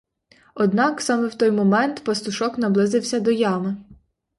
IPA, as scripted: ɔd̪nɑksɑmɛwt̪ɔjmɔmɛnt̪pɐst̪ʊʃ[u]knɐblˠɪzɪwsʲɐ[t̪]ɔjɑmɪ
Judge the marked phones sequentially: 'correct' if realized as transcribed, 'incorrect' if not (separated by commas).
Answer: incorrect, incorrect